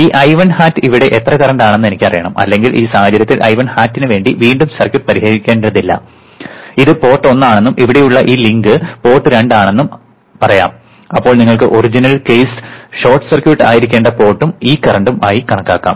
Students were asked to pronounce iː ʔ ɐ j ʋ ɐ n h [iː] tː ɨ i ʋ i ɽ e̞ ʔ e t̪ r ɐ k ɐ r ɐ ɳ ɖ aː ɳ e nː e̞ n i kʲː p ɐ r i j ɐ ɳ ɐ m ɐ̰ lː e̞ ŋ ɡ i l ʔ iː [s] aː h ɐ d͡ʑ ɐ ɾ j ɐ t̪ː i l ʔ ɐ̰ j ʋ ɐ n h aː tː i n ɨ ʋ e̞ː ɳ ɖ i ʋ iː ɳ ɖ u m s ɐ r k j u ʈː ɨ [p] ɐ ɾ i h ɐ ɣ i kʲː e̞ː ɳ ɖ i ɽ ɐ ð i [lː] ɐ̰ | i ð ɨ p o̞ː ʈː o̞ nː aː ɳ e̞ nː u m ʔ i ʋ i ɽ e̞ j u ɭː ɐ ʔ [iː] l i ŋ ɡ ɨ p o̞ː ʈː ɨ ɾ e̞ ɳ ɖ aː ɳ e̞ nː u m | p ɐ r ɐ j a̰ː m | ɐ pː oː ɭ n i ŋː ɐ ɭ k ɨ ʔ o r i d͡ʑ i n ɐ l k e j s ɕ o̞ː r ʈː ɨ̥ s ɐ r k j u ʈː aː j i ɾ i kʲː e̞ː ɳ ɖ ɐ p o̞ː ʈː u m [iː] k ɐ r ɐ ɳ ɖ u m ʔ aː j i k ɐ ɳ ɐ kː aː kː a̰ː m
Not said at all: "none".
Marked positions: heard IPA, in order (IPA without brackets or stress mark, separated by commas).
aː, s, p, lː, iː, iː